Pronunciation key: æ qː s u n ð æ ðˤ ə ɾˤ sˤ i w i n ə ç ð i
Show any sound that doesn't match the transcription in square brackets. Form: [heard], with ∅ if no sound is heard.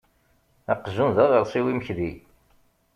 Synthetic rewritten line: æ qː [z] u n ð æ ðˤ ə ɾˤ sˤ i w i [m] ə ç ð i

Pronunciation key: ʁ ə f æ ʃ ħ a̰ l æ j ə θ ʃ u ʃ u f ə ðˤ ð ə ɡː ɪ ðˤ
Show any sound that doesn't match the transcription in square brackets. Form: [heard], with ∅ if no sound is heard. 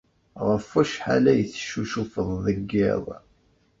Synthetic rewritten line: ʁ ə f æ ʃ ħ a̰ l æ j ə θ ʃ u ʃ u f ə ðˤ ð ə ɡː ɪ ðˤ

